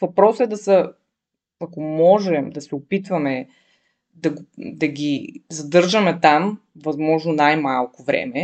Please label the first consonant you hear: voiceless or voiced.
voiced